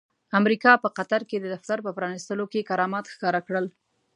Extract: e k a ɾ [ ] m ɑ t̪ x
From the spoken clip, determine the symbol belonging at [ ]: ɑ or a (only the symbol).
ɑ